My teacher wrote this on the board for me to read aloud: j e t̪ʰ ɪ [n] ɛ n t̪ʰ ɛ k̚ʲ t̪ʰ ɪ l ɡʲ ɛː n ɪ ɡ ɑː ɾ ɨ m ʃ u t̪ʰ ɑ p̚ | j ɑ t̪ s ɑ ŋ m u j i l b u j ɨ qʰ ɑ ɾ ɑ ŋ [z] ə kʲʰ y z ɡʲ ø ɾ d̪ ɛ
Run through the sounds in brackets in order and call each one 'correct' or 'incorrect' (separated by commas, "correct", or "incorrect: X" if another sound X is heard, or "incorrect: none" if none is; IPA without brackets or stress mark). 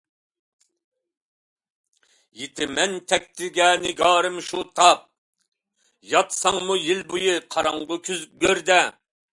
incorrect: m, incorrect: ʁ